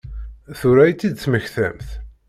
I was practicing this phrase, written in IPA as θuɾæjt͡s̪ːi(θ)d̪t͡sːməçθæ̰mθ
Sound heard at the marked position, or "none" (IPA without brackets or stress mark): none